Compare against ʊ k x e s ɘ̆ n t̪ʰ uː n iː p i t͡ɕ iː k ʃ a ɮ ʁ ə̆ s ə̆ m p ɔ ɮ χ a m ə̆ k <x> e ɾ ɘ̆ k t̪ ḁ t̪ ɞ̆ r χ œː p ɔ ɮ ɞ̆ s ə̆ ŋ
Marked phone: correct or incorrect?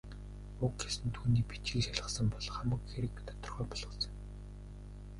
correct